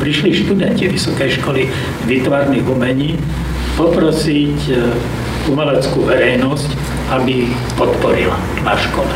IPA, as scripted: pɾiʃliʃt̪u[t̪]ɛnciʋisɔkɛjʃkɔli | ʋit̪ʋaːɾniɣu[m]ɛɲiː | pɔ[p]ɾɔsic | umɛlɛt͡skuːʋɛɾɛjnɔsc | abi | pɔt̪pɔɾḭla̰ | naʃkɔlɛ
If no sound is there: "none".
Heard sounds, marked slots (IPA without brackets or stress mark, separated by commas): d̪, m, p